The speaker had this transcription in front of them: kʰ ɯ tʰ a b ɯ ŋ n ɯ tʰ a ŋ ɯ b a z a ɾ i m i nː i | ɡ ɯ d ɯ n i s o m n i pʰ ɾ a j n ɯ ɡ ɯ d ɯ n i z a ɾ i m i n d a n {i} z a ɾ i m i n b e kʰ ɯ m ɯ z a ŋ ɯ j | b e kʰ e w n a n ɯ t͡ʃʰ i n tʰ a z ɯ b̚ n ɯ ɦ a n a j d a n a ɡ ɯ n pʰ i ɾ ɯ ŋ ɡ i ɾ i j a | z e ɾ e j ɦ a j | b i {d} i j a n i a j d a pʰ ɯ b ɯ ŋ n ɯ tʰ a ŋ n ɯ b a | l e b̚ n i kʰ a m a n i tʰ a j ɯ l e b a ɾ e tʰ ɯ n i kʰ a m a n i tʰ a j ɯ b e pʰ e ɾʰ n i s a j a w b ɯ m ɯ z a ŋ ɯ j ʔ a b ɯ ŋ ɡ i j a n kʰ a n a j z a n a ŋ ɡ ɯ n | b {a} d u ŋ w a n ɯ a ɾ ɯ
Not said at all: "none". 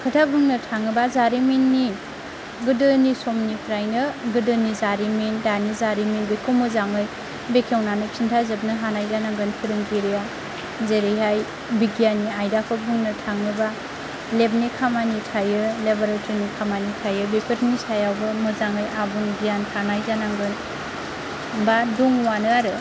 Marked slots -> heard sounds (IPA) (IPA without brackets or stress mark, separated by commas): i, ɡ, a